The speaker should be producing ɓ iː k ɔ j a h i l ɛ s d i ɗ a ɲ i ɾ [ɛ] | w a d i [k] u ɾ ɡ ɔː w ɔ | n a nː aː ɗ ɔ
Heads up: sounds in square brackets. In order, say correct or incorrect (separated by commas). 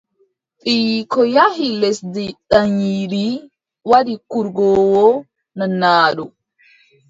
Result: incorrect, correct